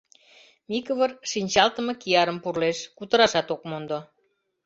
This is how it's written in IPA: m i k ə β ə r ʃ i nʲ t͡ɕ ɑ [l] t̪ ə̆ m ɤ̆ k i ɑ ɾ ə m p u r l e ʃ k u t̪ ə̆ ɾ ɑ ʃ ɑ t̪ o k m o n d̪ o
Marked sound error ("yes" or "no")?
no